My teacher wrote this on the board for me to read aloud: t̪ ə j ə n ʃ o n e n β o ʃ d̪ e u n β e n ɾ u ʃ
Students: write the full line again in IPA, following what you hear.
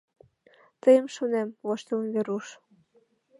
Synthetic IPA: t̪ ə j ə m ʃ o n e m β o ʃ t̪ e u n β e ɾ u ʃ